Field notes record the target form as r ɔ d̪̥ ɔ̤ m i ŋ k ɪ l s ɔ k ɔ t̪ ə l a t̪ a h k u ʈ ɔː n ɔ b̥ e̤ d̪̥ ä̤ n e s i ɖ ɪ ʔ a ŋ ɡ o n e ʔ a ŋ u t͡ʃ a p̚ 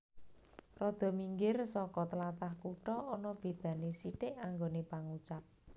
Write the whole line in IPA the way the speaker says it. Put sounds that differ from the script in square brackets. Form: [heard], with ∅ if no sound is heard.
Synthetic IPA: r ɔ d̪̥ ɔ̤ m i ŋ [ɡ] ɪ [r] s ɔ k ɔ t̪ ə l a t̪ a h k u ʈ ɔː n ɔ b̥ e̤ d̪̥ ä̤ n e s i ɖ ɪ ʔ a ŋ ɡ o n e [p] a ŋ u t͡ʃ a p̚